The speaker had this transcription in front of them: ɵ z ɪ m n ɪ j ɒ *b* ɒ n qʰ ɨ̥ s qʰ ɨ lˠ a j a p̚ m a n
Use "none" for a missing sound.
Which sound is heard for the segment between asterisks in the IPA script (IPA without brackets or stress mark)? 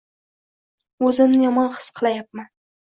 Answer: m